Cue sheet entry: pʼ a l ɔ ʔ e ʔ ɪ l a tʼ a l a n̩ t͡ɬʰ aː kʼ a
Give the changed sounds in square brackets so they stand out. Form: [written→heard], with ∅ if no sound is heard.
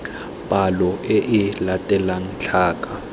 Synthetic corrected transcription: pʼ a l ɔ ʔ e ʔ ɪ l a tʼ [a→ɛ] l a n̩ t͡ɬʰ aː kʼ a

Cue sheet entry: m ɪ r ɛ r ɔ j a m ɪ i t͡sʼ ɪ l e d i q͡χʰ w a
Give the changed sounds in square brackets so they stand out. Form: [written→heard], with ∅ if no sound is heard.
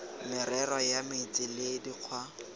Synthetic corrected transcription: m ɪ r ɛ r ɔ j a m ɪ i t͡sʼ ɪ l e d i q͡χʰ w a

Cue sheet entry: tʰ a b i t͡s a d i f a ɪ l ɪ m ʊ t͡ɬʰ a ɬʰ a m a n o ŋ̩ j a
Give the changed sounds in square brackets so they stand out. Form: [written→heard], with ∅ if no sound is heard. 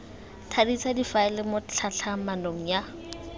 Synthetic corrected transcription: tʰ a [b→d] i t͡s a d i f a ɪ l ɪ m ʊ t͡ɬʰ a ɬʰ a m a n o ŋ̩ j a

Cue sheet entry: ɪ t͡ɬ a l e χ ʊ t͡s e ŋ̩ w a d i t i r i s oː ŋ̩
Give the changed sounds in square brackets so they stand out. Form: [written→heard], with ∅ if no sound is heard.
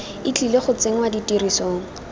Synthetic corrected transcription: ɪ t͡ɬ [a→i] l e χ ʊ t͡s e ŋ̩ w a d i t i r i s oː ŋ̩

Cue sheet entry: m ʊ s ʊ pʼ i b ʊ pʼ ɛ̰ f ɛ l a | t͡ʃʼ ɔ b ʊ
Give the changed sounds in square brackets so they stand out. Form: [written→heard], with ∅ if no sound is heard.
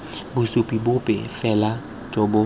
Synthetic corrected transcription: [m→b] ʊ s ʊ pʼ i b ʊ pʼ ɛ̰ f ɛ l a | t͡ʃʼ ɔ b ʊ

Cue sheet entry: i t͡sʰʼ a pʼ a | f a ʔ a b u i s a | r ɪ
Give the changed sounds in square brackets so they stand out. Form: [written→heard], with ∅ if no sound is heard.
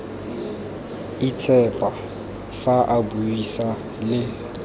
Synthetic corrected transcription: i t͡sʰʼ [a→ɛ] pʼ a | f a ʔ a b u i s a | [r→l] ɪ

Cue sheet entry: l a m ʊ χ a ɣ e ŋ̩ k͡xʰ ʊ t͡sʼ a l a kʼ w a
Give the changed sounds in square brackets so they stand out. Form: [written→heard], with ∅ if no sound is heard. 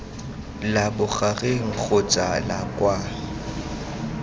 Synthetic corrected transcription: l a [m→b] ʊ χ a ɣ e ŋ̩ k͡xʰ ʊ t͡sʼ a l a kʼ w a

